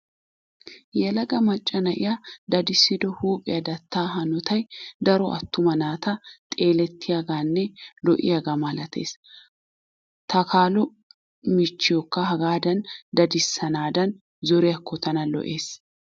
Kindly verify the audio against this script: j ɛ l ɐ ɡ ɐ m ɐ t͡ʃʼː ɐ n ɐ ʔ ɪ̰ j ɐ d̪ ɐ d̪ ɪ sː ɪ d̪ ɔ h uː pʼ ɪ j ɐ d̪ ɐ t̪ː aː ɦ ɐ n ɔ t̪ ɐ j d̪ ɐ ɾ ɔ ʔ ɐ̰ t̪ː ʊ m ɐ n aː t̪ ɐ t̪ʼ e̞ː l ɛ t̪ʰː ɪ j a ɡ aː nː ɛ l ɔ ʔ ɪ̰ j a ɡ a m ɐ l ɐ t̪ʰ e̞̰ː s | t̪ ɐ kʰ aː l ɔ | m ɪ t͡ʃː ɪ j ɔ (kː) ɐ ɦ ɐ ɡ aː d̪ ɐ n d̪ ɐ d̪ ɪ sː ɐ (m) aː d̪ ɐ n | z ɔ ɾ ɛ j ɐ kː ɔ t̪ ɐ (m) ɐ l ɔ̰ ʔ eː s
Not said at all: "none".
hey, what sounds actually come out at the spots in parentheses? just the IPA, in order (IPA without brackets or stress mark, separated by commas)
kː, n, n